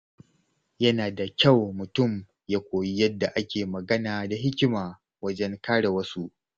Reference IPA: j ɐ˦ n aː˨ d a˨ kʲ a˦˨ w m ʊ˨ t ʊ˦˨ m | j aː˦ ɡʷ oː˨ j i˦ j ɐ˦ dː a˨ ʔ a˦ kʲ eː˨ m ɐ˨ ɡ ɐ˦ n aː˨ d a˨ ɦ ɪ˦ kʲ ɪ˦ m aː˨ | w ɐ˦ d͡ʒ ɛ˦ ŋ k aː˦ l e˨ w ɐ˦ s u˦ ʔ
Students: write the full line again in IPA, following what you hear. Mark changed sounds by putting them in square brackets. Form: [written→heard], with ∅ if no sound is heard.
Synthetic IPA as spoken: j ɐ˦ n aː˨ d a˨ kʲ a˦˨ w m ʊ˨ t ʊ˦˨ m | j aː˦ [ɡʷ→kʷ] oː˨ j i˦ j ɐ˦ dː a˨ ʔ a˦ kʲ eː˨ m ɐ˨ ɡ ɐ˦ n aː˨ d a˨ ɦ ɪ˦ kʲ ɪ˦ m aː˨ | w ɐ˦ d͡ʒ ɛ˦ ŋ k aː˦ [l→ɽ] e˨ w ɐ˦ s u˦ ʔ